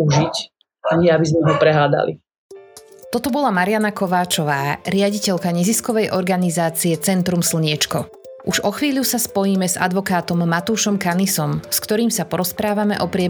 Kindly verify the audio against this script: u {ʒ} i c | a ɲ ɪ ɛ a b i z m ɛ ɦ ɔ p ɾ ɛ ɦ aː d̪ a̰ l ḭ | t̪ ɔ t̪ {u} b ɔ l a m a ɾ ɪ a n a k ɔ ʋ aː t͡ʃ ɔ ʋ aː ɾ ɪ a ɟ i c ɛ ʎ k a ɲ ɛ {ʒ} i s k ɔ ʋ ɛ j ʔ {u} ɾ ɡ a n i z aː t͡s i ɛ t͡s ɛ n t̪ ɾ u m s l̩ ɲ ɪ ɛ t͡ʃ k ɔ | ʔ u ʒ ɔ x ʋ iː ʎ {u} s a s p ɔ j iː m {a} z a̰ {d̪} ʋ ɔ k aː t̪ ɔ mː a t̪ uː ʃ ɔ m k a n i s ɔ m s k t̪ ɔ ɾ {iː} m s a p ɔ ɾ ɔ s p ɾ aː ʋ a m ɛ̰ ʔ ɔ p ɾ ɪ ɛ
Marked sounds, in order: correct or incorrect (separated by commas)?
correct, incorrect, incorrect, incorrect, correct, incorrect, correct, correct